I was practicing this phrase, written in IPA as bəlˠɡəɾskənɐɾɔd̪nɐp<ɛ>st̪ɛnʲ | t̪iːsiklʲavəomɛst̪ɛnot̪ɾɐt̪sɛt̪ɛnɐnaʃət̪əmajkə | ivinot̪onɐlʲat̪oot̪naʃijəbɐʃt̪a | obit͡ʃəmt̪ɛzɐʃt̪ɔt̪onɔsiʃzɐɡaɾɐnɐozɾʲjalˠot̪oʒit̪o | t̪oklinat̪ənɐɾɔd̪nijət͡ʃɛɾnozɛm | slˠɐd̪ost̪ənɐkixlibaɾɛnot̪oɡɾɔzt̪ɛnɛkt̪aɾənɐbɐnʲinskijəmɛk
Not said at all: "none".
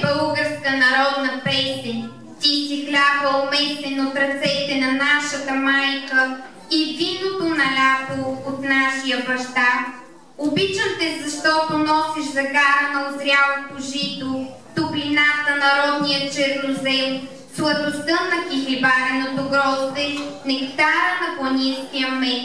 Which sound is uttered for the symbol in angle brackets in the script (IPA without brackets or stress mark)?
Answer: ɛ